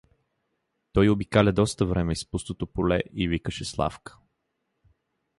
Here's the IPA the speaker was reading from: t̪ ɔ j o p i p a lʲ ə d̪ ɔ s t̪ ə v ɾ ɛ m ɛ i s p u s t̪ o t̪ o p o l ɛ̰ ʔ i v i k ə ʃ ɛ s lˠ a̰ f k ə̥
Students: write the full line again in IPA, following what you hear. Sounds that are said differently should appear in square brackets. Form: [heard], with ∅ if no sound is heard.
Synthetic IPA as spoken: t̪ ɔ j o [b] i [k] a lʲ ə d̪ ɔ s t̪ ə v ɾ ɛ m ɛ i s p u s t̪ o t̪ o p o l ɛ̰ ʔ i v i k ə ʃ ɛ s lˠ a̰ f k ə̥